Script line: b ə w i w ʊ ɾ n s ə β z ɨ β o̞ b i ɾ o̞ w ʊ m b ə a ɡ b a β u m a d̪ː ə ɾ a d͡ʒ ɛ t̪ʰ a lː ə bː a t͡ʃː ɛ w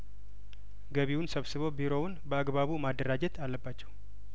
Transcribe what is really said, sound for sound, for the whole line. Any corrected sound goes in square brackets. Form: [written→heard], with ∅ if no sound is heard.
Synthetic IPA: [b→ɡ] ə [w→β] i w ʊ [ɾ→∅] n s ə β [z→s] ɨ β o̞ b i ɾ o̞ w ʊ [m→n] b ə a ɡ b a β u m a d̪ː ə ɾ a d͡ʒ ɛ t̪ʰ a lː ə bː a t͡ʃː ɛ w